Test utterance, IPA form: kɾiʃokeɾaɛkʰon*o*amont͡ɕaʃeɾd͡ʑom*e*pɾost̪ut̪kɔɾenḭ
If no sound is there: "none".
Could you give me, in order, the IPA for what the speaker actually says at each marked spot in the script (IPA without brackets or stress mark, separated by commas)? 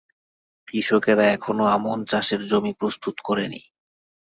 o, i